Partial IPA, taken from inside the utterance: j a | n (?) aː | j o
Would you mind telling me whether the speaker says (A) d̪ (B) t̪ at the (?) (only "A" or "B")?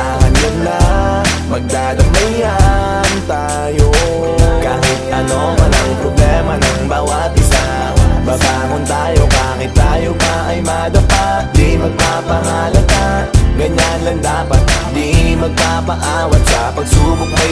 B